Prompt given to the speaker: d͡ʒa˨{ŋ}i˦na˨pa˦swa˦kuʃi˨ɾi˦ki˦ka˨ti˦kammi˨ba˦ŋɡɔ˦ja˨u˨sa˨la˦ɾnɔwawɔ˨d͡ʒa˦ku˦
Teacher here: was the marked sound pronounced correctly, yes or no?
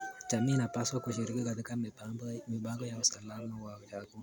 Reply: no